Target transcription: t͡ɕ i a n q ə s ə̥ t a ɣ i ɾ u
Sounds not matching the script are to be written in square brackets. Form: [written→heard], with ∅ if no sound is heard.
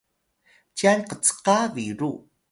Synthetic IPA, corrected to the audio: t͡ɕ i a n q ə [s→t͡s] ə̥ [t→q] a [ɣ→v] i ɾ u